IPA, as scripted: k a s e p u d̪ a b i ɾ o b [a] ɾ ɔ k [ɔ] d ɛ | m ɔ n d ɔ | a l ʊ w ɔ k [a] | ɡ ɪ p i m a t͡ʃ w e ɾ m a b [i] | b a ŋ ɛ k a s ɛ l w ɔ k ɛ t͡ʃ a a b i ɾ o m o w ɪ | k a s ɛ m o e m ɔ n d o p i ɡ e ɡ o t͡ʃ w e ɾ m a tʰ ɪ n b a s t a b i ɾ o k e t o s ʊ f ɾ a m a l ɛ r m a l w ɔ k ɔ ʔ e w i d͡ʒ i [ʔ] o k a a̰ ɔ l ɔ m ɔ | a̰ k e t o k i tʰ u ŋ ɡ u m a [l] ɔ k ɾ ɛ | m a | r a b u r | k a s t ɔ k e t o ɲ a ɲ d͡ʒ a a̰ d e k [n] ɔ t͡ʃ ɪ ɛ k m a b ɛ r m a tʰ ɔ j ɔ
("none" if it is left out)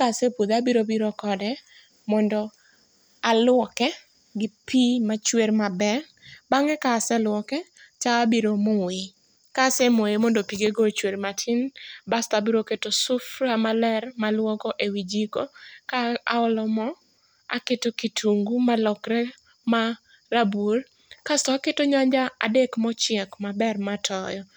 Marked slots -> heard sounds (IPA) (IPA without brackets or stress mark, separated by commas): i, ɔ, ɛ, ɛ, k, l, m